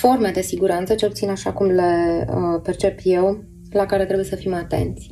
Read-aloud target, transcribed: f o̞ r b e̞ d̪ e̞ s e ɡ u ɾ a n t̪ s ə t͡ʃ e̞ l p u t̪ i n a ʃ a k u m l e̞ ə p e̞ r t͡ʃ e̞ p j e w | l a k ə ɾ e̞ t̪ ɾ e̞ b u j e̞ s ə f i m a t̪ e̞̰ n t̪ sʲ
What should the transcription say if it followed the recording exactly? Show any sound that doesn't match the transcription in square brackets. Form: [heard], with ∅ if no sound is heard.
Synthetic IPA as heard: f o̞ r [m] e̞ d̪ e̞ s [i] ɡ u ɾ a n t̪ s ə t͡ʃ e̞ l p u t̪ i n a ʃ a k u m l e̞ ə p e̞ r t͡ʃ e̞ p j e w | l a k [a] ɾ e̞ t̪ ɾ e̞ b u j e̞ s ə f i m a t̪ e̞̰ n t̪ sʲ